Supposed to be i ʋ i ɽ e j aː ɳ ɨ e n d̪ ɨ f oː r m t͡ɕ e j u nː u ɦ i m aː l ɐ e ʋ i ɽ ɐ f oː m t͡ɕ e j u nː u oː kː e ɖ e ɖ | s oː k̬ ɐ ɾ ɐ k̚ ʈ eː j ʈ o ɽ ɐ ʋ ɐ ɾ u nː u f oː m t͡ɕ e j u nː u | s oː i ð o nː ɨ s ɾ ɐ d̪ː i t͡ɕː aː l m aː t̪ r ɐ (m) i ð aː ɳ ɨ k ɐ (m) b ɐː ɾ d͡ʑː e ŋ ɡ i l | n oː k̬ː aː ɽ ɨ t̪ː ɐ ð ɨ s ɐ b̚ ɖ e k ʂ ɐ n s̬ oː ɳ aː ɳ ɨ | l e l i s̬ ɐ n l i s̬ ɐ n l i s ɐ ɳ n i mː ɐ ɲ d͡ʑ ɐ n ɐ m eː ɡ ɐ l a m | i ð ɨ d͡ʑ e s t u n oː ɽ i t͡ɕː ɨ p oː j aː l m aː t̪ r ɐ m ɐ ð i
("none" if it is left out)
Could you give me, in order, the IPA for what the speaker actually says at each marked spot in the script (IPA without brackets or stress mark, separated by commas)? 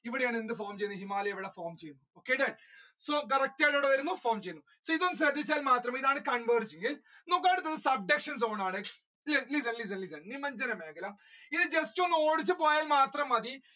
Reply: m, ɳ